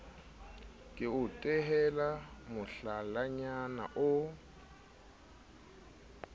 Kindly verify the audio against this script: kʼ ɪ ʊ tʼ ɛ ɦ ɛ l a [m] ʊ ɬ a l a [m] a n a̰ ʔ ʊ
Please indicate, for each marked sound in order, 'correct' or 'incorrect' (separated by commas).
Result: correct, incorrect